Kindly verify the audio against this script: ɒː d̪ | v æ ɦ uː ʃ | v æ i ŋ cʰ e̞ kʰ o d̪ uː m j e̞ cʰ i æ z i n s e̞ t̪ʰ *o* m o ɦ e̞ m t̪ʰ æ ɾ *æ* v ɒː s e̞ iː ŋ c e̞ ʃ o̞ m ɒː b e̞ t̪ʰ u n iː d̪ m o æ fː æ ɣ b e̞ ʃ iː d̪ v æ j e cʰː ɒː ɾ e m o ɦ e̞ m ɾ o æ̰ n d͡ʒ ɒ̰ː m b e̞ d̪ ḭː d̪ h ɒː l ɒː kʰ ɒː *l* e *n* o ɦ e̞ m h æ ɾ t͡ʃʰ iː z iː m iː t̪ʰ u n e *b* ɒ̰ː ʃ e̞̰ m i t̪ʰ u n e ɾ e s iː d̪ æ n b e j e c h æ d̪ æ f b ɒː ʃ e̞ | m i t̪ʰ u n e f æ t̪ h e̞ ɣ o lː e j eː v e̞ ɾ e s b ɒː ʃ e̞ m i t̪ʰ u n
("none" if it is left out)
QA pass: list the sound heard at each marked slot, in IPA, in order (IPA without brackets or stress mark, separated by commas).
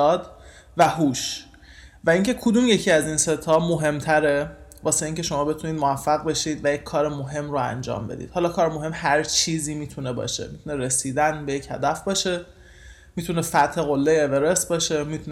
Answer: ɒ, e, ɾ, m, b